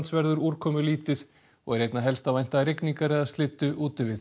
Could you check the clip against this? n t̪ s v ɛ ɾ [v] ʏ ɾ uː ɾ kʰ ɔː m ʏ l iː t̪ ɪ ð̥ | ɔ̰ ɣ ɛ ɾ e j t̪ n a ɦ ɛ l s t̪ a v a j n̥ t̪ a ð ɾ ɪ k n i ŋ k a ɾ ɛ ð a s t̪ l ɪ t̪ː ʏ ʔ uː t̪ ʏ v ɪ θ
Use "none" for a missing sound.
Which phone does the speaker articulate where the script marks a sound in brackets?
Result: ð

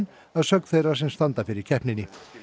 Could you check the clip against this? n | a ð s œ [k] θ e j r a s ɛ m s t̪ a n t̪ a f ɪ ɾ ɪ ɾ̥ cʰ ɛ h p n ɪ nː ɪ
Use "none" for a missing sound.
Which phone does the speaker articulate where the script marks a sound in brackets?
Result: k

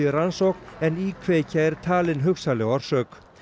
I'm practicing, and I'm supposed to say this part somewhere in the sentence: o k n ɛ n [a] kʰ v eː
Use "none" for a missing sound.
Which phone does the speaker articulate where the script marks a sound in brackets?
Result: i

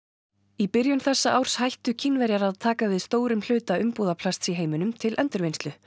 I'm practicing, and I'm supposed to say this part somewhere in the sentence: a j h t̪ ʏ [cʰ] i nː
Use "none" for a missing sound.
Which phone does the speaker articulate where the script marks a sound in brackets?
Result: cʰ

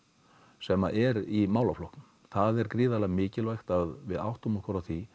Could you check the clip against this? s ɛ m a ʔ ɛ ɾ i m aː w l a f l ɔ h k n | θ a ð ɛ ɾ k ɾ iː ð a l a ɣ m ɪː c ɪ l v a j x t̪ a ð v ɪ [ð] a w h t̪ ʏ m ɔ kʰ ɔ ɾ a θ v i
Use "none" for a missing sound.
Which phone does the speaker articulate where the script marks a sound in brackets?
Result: ð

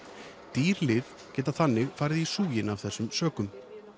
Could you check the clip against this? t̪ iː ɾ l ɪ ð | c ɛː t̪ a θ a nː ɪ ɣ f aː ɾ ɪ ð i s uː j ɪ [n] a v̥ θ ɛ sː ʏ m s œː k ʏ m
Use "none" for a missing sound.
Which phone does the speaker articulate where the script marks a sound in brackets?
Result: n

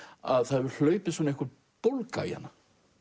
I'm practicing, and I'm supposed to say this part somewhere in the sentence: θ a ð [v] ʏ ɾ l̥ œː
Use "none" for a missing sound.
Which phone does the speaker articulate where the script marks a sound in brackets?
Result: v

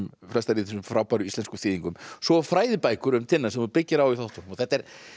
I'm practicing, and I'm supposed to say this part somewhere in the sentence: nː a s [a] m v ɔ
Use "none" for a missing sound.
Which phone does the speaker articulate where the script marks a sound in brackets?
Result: ɛ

